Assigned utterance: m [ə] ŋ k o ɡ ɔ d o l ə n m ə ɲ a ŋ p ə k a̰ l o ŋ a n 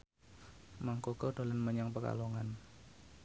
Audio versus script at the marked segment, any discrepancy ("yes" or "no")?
yes